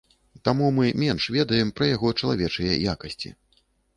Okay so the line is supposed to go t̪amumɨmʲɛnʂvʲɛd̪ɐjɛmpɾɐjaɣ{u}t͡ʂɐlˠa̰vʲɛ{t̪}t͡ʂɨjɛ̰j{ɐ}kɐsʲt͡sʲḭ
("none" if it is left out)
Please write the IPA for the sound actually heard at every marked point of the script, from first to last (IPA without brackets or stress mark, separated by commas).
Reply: ɔ, none, a